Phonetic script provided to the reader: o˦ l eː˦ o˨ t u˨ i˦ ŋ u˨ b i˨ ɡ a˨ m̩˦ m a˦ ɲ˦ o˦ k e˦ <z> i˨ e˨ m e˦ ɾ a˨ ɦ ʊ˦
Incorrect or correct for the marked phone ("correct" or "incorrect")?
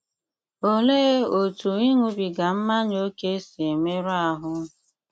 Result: incorrect